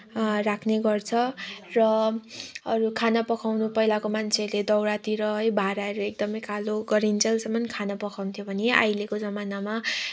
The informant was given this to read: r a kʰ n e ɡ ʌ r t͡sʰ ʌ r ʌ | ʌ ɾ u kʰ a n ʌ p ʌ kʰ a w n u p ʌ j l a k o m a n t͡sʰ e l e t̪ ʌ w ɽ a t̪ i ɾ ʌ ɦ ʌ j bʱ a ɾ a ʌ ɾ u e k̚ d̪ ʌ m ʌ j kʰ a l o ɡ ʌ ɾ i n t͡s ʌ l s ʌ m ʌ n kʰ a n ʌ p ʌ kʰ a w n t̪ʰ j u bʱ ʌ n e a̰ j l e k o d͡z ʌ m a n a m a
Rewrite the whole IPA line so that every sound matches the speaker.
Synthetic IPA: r a kʰ n e ɡ ʌ r t͡sʰ ʌ r ʌ | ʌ ɾ u kʰ a n ʌ p ʌ kʰ a w n u p ʌ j l a k o m a n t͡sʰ e l e d̪ ʌ w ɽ a t̪ i ɾ ʌ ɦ ʌ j bʱ a ɾ a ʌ ɾ u e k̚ d̪ ʌ m ʌ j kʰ a l o ɡ ʌ ɾ i n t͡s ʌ l s ʌ m ʌ n kʰ a n ʌ p ʌ kʰ a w n t̪ʰ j o bʱ ʌ n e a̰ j l e k o d͡z ʌ m a n a m a